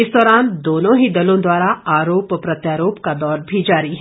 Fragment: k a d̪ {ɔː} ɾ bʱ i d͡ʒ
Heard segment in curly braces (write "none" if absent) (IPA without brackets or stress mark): ɔː